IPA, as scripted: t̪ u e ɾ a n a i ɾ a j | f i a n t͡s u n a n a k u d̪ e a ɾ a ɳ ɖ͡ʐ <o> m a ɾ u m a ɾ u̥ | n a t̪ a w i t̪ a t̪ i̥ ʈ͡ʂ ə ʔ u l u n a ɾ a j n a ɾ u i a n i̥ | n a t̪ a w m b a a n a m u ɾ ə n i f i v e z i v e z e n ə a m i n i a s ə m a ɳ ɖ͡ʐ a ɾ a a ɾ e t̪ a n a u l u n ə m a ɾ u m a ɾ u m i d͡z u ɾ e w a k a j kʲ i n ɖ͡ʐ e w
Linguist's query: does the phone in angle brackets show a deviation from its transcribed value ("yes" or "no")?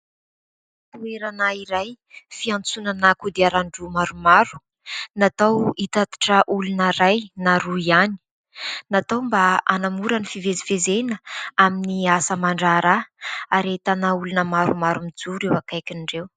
yes